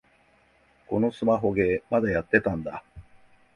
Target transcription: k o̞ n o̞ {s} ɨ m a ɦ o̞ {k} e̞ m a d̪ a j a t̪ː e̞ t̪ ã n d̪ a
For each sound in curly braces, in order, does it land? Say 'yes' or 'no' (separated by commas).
yes, no